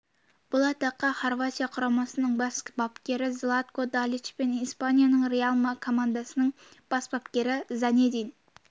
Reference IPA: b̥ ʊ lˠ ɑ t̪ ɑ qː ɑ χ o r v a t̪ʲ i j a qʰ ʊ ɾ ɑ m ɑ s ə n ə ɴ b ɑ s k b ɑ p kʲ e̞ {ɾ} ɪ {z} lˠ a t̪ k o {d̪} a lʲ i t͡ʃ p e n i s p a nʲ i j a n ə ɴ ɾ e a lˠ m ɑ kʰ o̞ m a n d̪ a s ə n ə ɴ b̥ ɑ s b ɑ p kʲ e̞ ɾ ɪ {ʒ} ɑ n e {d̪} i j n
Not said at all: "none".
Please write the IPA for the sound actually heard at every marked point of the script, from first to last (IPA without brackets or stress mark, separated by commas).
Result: ɾ, z, d̪, z, d̪